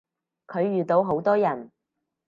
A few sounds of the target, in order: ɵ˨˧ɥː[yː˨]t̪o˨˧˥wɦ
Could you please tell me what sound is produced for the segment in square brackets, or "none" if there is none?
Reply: yː˨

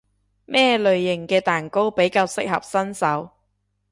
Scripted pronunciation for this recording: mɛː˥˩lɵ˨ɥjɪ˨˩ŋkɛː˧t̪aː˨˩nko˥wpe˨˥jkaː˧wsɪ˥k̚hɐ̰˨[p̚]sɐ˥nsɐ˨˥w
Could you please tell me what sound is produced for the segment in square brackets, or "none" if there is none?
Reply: p̚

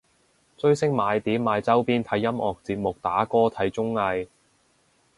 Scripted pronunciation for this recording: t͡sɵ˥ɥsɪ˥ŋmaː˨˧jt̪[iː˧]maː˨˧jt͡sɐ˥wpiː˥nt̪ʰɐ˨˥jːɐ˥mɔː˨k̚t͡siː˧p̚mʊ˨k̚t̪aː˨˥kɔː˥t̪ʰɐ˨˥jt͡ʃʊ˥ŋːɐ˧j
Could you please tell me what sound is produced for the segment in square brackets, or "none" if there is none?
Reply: iː˨˥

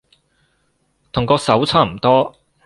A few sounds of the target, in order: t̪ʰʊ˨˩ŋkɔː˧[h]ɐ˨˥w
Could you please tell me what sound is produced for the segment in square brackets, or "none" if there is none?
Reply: s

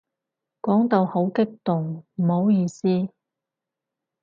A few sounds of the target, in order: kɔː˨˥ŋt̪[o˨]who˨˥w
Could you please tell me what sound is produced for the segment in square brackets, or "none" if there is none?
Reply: o˨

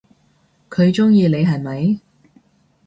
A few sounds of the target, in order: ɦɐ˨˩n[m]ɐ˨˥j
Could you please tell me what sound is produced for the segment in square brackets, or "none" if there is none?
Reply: m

